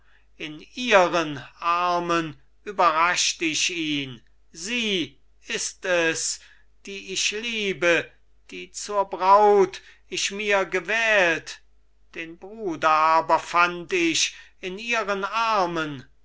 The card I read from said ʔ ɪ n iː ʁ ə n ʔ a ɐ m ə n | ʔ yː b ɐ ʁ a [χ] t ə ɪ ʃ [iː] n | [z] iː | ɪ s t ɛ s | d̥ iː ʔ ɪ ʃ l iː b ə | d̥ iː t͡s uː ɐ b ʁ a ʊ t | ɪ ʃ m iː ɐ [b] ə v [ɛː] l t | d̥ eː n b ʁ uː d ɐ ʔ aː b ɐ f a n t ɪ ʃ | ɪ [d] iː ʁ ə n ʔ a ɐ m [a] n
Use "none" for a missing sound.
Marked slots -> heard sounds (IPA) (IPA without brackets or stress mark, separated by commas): ʃ, iː, z, ɡ, ɛː, n, ə